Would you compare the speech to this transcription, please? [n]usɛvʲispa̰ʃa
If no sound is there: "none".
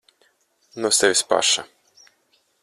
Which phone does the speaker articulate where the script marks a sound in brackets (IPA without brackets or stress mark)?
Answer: n